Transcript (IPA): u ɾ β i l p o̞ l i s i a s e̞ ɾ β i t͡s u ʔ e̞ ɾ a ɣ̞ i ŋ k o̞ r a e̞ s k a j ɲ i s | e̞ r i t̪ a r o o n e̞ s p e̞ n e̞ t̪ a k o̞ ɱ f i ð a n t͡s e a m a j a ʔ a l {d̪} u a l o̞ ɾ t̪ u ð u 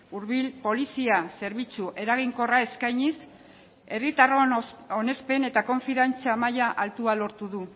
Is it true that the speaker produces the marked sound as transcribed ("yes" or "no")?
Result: no